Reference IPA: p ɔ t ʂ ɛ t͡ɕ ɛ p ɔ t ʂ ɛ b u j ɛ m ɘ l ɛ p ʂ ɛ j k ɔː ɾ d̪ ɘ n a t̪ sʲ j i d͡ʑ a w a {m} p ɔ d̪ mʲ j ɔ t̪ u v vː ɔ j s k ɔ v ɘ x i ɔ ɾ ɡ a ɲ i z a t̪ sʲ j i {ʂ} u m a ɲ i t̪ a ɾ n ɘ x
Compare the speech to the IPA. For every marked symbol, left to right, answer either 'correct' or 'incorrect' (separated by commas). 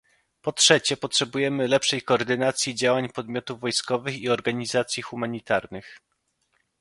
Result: incorrect, incorrect